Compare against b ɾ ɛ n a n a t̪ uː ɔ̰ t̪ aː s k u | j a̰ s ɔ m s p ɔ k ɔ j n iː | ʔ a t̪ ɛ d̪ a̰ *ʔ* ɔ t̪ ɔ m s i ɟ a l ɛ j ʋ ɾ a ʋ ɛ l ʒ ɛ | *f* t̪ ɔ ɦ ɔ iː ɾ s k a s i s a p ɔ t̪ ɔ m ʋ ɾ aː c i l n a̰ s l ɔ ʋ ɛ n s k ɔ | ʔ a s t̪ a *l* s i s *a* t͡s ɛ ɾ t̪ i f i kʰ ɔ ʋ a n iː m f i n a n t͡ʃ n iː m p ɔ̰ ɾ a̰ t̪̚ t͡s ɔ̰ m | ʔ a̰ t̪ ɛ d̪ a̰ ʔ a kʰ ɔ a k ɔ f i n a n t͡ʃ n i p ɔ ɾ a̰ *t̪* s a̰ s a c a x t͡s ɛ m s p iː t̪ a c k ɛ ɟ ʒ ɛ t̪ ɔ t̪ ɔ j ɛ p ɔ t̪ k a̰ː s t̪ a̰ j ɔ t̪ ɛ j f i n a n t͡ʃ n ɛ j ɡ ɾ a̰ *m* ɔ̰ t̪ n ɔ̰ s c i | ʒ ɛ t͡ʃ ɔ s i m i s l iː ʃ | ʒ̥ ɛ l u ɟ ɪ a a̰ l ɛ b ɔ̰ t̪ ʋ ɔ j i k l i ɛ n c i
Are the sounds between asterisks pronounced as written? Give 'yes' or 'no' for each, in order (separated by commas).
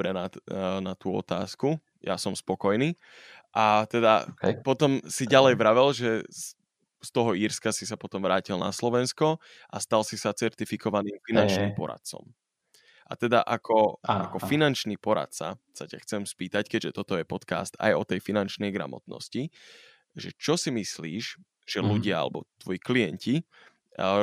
no, no, yes, yes, yes, yes